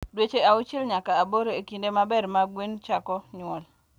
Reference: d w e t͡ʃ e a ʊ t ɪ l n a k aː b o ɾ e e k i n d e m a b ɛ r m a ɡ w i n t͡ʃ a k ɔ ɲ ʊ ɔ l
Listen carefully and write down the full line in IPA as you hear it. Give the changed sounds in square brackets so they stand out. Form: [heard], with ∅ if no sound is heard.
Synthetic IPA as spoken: d w e t͡ʃ e a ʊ [t͡ʃ] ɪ l [ɲ] a k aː b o ɾ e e k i n d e m a b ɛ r m a ɡ w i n t͡ʃ a k ɔ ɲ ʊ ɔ l